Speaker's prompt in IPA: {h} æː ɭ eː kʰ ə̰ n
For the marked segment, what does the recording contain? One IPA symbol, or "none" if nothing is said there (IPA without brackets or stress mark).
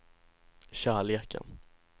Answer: ɕ